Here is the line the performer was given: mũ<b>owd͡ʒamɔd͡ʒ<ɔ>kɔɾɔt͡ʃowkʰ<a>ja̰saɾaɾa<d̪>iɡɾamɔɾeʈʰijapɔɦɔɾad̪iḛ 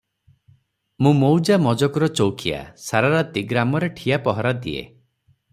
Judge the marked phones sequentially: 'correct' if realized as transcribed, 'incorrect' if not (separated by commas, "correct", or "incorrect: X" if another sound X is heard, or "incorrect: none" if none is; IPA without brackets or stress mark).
incorrect: m, correct, incorrect: i, incorrect: t̪